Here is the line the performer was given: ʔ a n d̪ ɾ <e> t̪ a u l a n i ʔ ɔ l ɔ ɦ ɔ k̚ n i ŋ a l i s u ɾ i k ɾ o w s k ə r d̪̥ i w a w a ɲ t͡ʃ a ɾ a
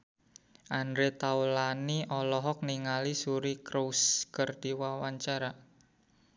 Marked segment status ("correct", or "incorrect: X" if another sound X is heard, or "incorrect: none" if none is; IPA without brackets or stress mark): correct